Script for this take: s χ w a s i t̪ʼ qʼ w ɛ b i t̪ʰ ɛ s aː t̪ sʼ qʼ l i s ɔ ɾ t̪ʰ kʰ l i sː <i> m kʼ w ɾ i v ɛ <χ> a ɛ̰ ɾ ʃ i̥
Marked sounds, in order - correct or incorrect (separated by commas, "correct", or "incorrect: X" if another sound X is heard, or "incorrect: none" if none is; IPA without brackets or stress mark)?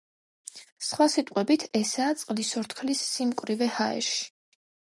correct, incorrect: h